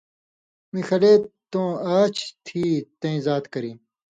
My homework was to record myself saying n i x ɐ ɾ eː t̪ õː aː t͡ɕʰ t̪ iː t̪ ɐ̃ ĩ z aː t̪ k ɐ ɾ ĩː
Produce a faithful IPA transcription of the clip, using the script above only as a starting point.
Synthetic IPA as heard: m i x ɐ l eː t̪ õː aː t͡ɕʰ t̪ʰ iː t̪ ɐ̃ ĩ z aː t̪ k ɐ ɾ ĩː